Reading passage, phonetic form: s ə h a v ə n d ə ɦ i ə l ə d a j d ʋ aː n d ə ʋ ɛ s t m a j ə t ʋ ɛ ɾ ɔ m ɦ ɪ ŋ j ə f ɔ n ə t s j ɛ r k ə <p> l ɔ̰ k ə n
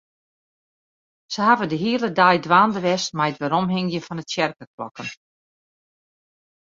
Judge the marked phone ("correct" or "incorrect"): incorrect